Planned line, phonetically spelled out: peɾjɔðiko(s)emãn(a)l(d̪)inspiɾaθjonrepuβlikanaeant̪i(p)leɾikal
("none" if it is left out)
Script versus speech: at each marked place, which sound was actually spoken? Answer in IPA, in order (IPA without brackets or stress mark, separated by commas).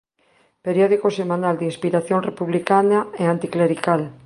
s, a, d̪, k